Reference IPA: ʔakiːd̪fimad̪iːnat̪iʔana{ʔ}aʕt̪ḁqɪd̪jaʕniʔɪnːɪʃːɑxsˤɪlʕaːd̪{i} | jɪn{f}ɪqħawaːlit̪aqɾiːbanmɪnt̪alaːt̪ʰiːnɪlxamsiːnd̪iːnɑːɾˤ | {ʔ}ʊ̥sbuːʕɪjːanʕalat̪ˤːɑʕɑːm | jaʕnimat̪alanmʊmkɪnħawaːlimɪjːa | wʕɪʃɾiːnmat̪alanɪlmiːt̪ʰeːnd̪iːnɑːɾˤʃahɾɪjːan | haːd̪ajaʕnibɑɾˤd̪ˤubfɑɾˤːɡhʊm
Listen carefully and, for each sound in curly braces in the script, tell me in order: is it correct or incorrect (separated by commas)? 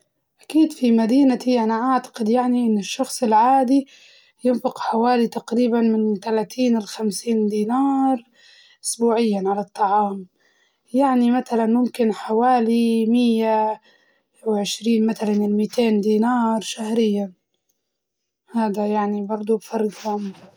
correct, correct, correct, correct